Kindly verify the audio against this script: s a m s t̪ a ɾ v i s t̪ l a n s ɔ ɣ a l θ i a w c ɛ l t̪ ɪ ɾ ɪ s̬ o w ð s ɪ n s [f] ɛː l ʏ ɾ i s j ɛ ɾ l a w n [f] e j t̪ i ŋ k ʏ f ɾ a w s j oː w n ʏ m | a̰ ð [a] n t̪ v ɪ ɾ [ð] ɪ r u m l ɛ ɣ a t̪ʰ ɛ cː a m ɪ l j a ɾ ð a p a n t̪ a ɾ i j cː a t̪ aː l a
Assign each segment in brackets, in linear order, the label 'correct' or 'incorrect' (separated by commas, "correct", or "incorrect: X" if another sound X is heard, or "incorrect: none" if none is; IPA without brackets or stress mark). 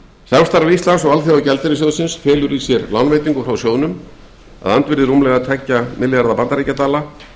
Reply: correct, incorrect: v, correct, correct